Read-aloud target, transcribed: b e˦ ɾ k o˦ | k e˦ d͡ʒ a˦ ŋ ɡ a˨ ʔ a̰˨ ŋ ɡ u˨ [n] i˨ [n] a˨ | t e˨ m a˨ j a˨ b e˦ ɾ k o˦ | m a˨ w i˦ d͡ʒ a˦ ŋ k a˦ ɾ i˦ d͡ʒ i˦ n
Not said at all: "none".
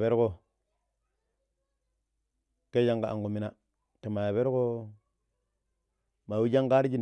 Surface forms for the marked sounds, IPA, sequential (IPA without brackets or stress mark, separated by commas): m, n